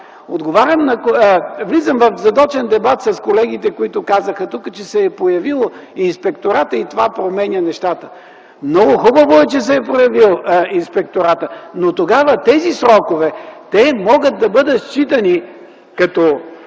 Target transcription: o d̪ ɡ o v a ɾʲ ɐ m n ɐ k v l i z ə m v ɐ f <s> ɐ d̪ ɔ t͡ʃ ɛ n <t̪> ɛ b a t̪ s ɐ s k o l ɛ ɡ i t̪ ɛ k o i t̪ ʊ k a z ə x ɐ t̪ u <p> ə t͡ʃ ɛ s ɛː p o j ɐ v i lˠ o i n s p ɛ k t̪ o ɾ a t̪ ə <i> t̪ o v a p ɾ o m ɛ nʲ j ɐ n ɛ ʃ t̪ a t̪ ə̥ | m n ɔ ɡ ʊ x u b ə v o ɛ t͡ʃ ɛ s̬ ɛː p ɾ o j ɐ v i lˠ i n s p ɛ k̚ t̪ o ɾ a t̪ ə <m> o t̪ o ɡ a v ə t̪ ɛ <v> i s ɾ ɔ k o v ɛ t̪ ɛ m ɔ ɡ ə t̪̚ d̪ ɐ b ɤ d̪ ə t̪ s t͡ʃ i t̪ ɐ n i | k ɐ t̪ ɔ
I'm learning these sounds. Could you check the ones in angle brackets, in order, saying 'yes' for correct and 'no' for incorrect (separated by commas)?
no, no, no, yes, no, no